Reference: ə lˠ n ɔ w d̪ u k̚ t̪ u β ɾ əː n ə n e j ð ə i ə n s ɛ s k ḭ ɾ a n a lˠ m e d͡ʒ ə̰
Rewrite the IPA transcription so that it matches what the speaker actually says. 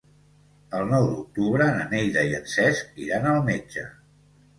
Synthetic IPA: ə lˠ n ɔ w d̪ u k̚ t̪ u β ɾ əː n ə n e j ð ə i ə n s ɛ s k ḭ ɾ a n ə lˠ m e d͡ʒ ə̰